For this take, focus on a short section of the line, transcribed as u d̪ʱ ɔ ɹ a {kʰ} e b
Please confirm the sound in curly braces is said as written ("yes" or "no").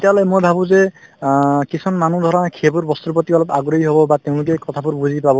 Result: yes